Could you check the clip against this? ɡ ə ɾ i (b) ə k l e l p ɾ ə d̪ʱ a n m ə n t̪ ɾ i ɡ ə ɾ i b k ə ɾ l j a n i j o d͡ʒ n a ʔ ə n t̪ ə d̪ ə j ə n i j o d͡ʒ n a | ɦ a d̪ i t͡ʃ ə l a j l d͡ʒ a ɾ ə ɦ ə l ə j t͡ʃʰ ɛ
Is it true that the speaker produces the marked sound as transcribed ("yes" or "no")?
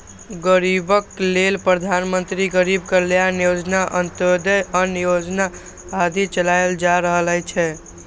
yes